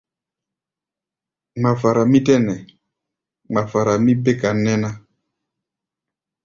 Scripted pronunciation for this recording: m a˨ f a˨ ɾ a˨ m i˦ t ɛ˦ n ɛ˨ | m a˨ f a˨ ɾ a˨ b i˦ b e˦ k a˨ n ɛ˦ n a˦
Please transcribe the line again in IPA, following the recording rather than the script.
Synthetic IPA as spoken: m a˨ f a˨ ɾ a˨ m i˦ t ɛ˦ n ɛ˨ | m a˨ f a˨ ɾ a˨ m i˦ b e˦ k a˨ n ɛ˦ n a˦